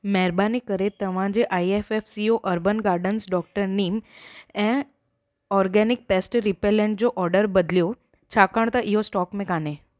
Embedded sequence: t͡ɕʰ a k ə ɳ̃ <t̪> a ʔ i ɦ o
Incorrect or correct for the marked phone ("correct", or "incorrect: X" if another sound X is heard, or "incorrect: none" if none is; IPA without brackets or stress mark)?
correct